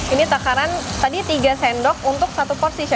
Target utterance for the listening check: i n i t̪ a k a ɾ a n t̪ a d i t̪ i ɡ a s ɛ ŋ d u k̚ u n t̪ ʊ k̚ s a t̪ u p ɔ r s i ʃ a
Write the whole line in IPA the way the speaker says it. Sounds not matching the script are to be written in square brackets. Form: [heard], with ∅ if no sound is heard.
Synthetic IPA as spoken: i n i t̪ a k a ɾ a n t̪ a d i t̪ i ɡ a s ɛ [n] d [ɔ] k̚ u n t̪ ʊ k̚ s a t̪ u p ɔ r s i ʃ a

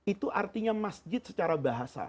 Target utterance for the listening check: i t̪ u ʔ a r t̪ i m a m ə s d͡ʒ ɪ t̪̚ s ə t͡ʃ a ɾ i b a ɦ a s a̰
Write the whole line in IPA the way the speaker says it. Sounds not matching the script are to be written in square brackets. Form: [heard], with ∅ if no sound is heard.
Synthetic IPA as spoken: i t̪ u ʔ a r t̪ i [ɲ] a m [a] s d͡ʒ ɪ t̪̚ s ə t͡ʃ a ɾ [a] b a ɦ a s a̰

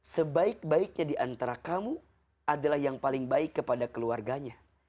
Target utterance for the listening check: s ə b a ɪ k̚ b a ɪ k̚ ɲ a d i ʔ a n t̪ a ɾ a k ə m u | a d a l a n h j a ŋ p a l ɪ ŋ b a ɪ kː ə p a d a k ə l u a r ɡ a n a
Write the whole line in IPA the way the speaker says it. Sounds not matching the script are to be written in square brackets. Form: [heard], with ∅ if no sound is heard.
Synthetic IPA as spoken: s ə b a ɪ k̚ b a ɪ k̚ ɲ a d i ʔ a n t̪ a ɾ a k [a] m u | a d a l a [∅] h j a ŋ p a l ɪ ŋ b a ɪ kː ə p a d a k ə l u a r ɡ a [ɲ] a

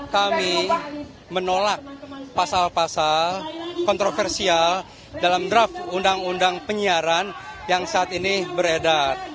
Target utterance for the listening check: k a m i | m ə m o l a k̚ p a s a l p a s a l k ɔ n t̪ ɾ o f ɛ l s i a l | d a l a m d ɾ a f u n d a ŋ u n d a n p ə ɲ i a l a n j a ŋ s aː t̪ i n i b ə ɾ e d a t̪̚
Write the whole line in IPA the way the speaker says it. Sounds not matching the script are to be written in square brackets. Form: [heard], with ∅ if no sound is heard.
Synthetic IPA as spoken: k a m i | m ə [n] o l a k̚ p a s a l p a s a l k ɔ n t̪ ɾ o f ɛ [r] s i a l | d a l a m d ɾ a f u n d a ŋ u n d a [ŋ] p ə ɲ i a [ɾ] a n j a ŋ s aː t̪ i n i b ə ɾ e d a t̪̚

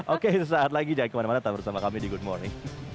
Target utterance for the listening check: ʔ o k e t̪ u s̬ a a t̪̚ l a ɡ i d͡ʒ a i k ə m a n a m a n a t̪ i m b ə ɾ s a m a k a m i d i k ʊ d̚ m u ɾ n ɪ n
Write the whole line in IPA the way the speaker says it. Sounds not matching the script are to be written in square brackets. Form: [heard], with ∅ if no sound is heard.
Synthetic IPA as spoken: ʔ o k e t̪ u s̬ a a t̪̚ l a ɡ i d͡ʒ a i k ə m a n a m a n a t̪ [a] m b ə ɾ s a m a k a m i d i [ɡ] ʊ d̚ m [ɔ] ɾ n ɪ [ŋ]

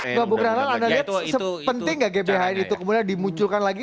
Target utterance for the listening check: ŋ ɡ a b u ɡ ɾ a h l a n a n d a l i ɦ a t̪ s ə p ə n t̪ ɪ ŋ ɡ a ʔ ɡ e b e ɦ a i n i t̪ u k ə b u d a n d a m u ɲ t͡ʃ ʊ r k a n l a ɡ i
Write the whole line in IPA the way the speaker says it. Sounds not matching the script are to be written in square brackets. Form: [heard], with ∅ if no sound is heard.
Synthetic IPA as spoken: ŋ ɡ a b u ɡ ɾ a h l a n a n d a l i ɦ a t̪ s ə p ə n t̪ ɪ ŋ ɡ a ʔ ɡ e b e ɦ a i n i t̪ u k ə [m] u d a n d [i] m u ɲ t͡ʃ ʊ [l] k a n l a ɡ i

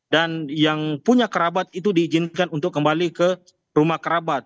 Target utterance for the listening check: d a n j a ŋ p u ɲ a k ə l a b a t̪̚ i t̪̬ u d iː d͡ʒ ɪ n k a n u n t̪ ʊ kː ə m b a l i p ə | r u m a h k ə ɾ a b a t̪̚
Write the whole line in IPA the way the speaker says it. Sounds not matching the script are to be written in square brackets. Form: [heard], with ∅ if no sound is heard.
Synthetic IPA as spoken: d a n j a ŋ p u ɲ a k ə [ɾ] a b a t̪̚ i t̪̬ u d iː d͡ʒ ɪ n k a n u n t̪ ʊ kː ə m b a l i [k] ə | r u m a h k ə ɾ a b a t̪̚

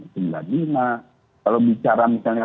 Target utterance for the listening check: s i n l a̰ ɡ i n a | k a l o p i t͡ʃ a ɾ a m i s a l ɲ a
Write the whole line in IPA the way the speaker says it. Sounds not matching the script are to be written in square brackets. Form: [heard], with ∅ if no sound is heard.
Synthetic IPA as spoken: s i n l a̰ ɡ i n a | k a l o [b] i t͡ʃ a ɾ a m i s a l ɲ a

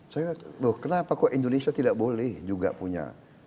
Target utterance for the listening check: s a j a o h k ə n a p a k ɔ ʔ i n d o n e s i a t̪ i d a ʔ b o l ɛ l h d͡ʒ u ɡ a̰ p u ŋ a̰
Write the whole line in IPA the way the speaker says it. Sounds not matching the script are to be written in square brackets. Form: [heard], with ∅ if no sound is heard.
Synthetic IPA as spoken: s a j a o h k ə n a p a k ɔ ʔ i n d o n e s i a t̪ i d a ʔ b o l ɛ [∅] h d͡ʒ u ɡ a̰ p u [ɲ] a̰

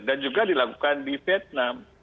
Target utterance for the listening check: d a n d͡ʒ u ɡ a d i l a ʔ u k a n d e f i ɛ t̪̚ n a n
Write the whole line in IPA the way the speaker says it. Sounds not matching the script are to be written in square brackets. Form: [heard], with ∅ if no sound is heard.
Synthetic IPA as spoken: d a n d͡ʒ u ɡ a d i l a [k] u k a n d [i] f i ɛ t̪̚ n a [m]

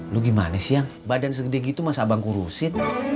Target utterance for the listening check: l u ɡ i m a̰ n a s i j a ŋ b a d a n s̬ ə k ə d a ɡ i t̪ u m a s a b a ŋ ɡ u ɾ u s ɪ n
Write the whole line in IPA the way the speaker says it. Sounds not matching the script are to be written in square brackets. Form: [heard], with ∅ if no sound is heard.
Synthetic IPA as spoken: l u ɡ i m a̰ n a s i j a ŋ b a d a n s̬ ə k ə d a ɡ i t̪ u m a s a b a ŋ [k] u ɾ u s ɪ n

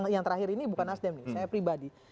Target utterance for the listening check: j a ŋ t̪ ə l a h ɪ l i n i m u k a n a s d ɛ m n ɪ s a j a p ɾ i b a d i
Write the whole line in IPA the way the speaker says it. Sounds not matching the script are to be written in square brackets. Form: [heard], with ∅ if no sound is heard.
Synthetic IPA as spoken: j a ŋ t̪ ə [ɾ] a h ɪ [ɾ] i n i [b] u k a n a s d ɛ m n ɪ s a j a p ɾ i b a d i

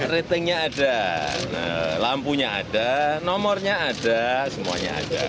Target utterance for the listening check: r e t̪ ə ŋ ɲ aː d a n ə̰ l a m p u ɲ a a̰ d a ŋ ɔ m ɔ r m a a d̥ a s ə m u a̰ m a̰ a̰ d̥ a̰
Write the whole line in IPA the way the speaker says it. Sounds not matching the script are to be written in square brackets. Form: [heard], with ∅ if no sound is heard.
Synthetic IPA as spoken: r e t̪ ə ŋ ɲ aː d a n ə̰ l a m p u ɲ a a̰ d a [n] ɔ m ɔ r [ɲ] a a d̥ a s ə m u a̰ [ɲ] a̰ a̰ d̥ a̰

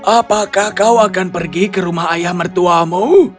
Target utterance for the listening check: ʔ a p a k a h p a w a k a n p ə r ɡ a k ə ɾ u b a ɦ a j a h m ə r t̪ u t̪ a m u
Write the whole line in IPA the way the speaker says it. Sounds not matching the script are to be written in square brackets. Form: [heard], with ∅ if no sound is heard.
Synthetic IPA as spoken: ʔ a p a k a h [k] a w a k a n p ə r ɡ [i] k ə ɾ u [m] a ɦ a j a h m ə r t̪ u [∅] a m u

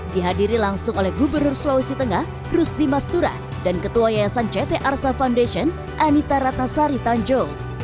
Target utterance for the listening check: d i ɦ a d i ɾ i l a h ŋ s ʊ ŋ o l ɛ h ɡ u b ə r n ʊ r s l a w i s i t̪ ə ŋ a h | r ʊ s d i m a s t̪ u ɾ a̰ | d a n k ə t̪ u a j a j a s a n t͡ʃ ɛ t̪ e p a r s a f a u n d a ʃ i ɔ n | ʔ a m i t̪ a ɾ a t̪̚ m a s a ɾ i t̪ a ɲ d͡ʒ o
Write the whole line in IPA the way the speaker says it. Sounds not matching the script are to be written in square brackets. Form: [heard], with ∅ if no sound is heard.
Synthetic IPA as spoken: d i ɦ a d i ɾ i l a [∅] ŋ s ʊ ŋ o l ɛ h ɡ u b ə r n ʊ r s l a w i s i t̪ ə ŋ a h | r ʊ s d i m a s t̪ u ɾ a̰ | d a n k ə t̪ u a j a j a s a n t͡ʃ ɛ t̪ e [ʔ] a r s a f a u n d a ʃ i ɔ n | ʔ a [n] i t̪ a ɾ a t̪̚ [n] a s a ɾ i t̪ a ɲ d͡ʒ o

